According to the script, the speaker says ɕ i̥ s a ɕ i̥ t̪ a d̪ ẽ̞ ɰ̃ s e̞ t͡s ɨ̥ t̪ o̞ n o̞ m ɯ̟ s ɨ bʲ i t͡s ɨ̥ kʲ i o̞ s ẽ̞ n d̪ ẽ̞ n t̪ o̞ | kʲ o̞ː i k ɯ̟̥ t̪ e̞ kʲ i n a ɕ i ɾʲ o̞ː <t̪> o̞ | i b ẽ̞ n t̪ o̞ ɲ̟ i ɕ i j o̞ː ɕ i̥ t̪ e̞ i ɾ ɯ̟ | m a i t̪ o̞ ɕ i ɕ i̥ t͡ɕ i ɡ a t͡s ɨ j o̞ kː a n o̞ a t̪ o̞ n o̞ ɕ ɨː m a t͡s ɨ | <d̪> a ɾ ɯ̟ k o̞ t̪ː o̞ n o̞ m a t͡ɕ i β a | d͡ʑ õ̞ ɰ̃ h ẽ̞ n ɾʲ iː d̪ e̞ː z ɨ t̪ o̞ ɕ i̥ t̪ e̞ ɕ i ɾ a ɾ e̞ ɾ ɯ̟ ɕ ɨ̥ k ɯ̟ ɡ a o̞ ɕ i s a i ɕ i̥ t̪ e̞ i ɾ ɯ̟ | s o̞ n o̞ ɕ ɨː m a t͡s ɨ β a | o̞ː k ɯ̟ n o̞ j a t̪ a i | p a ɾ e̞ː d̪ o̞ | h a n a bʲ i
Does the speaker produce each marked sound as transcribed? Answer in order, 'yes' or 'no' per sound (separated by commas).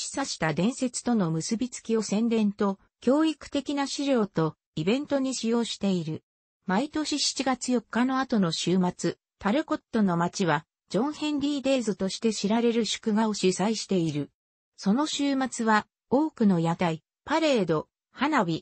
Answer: yes, no